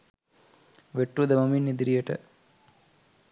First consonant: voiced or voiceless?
voiced